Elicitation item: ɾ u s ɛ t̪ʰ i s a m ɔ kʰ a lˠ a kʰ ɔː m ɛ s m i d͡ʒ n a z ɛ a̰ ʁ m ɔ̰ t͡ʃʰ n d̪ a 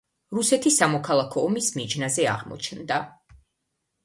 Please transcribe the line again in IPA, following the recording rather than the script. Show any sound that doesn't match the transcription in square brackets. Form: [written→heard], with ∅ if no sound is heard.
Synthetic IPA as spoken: ɾ u s ɛ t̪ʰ i s a m ɔ kʰ a lˠ a kʰ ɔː m [ɛ→i] s m i d͡ʒ n a z ɛ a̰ ʁ m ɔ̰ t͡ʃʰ n d̪ a